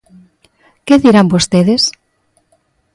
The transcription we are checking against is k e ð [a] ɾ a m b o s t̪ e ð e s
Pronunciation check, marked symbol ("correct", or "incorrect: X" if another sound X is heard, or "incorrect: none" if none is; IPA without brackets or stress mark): incorrect: i